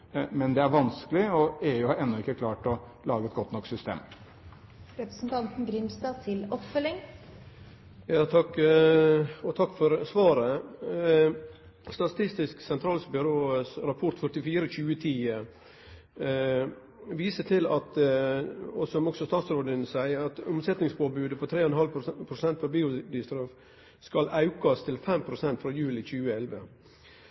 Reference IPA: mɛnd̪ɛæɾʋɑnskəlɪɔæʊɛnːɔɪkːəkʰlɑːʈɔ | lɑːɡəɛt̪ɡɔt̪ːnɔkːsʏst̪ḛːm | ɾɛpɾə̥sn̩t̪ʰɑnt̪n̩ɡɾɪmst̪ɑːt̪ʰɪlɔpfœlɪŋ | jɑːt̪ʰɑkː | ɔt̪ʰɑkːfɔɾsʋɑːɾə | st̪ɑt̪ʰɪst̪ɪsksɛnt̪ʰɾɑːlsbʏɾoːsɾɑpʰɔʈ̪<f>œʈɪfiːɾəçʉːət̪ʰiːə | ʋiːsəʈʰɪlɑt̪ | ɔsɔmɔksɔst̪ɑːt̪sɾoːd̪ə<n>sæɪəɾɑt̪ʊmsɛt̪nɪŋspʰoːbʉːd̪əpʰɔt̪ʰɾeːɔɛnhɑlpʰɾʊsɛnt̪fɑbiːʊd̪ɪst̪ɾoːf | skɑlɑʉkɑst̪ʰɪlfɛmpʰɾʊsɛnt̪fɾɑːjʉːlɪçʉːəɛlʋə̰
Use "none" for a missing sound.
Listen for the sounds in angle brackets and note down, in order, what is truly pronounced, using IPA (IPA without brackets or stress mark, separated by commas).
f, n